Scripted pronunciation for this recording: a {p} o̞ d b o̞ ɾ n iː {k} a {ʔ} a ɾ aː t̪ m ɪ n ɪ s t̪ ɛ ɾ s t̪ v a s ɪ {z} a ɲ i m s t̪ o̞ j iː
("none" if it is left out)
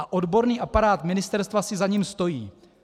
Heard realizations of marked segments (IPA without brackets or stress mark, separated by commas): ʔ, ʔ, p, z